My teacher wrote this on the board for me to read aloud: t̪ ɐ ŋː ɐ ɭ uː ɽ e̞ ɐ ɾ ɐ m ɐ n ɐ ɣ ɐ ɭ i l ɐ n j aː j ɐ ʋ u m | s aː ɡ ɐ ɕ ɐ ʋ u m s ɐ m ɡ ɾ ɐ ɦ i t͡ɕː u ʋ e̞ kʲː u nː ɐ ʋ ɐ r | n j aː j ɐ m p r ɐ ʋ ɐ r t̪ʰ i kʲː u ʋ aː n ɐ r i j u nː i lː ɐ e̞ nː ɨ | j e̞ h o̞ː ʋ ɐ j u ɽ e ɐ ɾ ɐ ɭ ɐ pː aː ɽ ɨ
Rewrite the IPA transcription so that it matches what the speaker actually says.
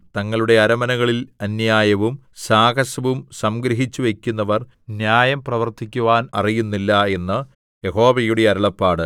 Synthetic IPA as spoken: t̪ ɐ ŋː ɐ ɭ u ɽ e̞ ɐ ɾ ɐ m ɐ n ɐ ɣ ɐ ɭ i l ɐ n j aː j ɐ ʋ u m | s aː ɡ ɐ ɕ ɐ ʋ u m s ɐ m ɡ ɾ ɐ ɦ i t͡ɕː u ʋ e̞ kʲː u nː ɐ ʋ ɐ r | n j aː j ɐ m p r ɐ ʋ ɐ r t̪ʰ i kʲː u ʋ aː n ɐ r i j u nː i lː ɐ e̞ nː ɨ | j e̞ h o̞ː ʋ ɐ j u ɽ e ɐ ɾ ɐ ɭ ɐ pː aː ɽ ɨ